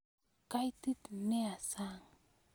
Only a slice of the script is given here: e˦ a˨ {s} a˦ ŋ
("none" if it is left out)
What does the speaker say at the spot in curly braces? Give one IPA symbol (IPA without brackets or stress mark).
s